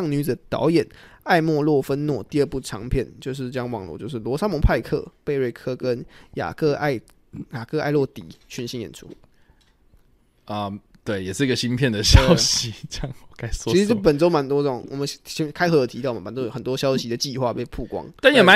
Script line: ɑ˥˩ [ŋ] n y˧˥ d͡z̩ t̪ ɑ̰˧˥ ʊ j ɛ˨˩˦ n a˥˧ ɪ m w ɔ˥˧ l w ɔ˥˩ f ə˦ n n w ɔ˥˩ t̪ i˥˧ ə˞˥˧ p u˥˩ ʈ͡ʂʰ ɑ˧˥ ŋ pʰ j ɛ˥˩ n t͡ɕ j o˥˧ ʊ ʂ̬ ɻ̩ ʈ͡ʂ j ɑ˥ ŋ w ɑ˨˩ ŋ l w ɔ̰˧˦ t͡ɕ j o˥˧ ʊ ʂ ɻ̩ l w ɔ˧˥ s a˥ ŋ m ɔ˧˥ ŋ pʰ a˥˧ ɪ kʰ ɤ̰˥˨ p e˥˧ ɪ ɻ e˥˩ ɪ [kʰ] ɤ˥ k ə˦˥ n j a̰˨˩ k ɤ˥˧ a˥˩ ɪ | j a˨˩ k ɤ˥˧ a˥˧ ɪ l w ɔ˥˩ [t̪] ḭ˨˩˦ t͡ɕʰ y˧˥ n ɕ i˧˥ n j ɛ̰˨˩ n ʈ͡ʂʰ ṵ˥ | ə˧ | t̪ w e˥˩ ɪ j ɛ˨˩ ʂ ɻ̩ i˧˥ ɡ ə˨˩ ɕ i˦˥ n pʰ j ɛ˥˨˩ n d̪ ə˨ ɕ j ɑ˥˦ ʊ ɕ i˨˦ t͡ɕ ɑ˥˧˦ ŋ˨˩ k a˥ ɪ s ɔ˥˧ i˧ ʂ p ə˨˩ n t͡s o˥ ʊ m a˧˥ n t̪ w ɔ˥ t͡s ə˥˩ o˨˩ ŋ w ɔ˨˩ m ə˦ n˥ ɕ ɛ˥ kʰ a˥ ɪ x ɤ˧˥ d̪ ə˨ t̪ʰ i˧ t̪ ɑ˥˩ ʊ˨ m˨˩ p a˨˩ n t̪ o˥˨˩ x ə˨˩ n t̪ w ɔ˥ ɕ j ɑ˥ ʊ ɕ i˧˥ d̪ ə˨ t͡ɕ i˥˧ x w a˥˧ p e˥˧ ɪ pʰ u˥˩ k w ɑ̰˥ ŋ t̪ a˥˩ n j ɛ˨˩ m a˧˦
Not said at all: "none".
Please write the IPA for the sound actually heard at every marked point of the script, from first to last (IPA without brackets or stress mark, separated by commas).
ŋ, kʰ, t̪